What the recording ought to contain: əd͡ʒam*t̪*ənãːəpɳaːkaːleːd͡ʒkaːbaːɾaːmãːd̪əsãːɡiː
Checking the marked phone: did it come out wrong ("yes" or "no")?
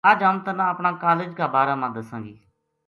no